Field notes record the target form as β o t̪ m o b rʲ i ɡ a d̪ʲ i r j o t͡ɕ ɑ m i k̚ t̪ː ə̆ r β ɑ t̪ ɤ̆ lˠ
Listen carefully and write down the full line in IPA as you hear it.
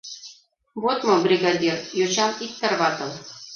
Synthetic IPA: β o t̪ m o b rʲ i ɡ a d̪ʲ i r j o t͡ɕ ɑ m i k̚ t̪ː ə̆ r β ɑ t̪ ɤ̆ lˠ